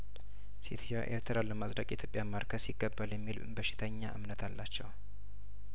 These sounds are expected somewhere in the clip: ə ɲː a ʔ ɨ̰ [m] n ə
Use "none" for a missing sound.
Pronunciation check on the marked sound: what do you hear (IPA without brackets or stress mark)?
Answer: m